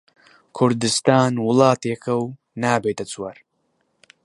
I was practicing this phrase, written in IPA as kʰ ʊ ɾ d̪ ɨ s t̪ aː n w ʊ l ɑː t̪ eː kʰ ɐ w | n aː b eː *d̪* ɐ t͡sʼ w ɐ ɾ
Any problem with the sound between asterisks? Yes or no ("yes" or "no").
yes